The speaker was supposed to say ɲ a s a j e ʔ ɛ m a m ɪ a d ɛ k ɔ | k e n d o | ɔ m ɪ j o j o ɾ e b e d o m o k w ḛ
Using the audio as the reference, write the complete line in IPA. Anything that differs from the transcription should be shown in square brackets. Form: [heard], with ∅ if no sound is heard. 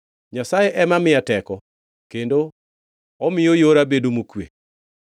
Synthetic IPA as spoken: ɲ a s a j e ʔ ɛ m a m ɪ a [t] ɛ k ɔ | k e n d o | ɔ m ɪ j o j o ɾ [a] b e d o m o k w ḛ